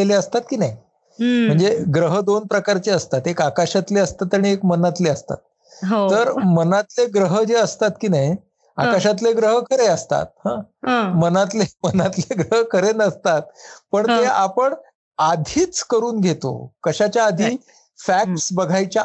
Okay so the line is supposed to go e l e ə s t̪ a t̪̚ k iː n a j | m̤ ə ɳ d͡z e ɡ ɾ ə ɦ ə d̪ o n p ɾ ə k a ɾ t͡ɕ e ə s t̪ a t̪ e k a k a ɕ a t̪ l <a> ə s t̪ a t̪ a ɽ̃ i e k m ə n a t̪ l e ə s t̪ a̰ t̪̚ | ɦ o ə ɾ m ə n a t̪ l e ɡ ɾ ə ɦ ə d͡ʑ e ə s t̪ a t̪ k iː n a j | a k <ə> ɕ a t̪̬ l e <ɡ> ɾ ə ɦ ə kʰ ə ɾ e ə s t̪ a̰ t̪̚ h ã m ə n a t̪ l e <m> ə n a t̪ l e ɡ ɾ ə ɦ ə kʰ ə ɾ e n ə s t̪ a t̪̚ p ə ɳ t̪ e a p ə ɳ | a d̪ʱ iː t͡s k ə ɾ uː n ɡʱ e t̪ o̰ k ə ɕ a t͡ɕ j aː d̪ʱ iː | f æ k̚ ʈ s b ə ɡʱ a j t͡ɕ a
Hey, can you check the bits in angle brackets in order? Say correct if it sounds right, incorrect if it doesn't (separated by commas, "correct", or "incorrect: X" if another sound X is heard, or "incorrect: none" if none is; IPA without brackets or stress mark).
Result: incorrect: e, incorrect: a, correct, correct